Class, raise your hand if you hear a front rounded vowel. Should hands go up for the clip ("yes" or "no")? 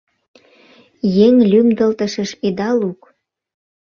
yes